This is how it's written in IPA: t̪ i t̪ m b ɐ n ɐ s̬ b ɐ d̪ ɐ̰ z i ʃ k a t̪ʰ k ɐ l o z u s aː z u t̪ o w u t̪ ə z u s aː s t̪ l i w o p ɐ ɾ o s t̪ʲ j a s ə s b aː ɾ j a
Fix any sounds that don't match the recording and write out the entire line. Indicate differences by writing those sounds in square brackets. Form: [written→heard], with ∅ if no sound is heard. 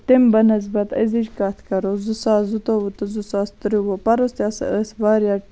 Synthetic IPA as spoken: t̪ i [t̪→∅] m b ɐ n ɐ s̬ b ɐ [d̪→t̪] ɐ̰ z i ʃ k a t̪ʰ k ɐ [l→ɾ] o z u s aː z u t̪ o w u t̪ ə z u s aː s t̪ [l→ɾ] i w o p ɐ ɾ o s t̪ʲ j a s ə s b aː ɾ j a